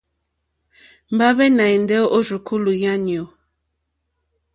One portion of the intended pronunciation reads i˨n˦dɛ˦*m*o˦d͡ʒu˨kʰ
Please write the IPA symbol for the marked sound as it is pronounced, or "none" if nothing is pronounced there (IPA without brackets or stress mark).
none